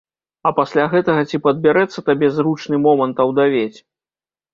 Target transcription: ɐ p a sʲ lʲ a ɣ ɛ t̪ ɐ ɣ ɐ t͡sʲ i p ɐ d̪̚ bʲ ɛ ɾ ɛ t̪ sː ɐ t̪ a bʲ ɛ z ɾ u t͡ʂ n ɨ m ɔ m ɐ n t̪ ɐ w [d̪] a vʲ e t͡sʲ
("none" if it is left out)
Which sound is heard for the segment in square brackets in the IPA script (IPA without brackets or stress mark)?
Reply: d̪